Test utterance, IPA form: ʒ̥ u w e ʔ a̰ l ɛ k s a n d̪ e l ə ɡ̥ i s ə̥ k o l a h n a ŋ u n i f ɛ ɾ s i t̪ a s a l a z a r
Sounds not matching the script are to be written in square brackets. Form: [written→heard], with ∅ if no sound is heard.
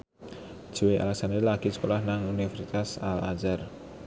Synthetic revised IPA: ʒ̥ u w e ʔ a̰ l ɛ k s a n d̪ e l [ə→a] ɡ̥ i s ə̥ k o l a h n a ŋ u n i f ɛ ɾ s i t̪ a s a l a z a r